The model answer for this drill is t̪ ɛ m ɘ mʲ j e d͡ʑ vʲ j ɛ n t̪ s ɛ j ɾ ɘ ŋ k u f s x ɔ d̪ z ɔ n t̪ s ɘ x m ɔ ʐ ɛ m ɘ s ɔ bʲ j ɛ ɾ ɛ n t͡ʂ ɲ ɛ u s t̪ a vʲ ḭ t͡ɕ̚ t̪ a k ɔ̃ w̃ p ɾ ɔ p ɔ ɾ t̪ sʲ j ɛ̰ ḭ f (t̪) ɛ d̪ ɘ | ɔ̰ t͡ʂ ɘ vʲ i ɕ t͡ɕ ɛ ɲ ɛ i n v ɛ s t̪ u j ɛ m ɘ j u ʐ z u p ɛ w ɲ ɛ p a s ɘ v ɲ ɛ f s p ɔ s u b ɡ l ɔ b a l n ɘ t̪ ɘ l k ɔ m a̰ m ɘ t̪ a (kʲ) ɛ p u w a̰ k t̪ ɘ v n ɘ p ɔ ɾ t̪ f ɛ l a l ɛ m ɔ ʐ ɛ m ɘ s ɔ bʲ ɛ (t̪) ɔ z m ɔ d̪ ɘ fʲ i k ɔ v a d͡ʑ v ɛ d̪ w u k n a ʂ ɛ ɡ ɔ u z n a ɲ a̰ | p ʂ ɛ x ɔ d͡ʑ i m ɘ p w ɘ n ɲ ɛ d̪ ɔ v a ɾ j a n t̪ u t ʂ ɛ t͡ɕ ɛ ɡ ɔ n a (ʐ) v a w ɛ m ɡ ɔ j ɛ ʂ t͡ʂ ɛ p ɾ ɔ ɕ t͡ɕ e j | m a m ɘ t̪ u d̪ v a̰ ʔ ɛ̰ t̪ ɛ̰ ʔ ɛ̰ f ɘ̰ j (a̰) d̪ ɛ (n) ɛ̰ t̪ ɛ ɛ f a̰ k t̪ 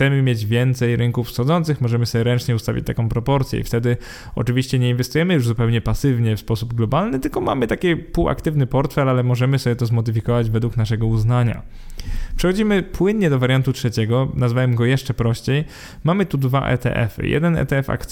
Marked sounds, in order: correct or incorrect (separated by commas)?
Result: correct, correct, correct, incorrect, incorrect, correct